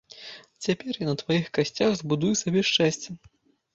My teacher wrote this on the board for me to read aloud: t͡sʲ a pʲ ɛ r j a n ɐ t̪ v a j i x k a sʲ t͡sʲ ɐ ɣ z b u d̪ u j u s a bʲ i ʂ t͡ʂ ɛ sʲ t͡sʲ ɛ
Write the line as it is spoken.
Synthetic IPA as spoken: t͡sʲ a pʲ ɛ r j a n ɐ t̪ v a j i x k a sʲ t͡sʲ a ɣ z b u d̪ u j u s a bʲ ɛ ʂ t͡ʂ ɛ sʲ t͡sʲ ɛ